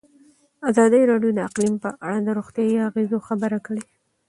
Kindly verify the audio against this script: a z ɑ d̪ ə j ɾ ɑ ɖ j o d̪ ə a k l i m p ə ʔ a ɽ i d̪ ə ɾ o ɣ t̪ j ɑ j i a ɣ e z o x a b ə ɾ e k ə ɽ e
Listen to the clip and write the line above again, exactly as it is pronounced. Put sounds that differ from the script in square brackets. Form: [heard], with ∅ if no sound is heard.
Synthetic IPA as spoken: a z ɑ d̪ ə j ɾ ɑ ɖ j o d̪ ə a [q] l i m p ə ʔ a ɽ [a] d̪ ə ɾ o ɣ t̪ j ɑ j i a ɣ e z o x a b ə ɾ [a] k ə ɽ e